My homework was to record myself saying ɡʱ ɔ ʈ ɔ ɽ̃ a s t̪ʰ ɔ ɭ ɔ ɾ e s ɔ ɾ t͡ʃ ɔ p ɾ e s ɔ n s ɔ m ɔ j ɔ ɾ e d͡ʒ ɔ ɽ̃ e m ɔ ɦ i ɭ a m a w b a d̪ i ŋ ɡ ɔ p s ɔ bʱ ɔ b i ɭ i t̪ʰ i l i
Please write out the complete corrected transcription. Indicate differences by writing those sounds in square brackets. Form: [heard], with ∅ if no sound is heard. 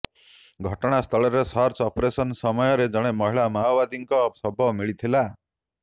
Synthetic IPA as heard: ɡʱ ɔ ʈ ɔ ɽ̃ a s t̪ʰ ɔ ɭ ɔ ɾ e s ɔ ɾ t͡ʃ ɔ p ɾ e s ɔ n s ɔ m ɔ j ɔ ɾ e d͡ʒ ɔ ɽ̃ e m ɔ ɦ i ɭ a m a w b a d̪ i ŋ [k] ɔ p s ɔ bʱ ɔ [m] i ɭ i t̪ʰ i l [a]